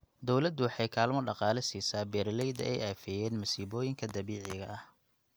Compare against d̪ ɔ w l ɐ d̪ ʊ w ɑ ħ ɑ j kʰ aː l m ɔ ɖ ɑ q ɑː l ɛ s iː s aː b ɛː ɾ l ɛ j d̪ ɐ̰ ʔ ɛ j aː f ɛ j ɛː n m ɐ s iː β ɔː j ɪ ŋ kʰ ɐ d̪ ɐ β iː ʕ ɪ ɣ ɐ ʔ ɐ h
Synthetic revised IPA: d̪ ɔ w l ɐ d̪ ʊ w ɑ ħ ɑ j kʰ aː l m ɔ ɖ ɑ q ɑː l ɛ s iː s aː b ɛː ɾ l ɛ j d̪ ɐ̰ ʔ ɛ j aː f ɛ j ɛː n m ɐ s iː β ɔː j ɪ ŋ kʰ ɐ d̪ ɐ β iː ʕ ɪ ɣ ɐ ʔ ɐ h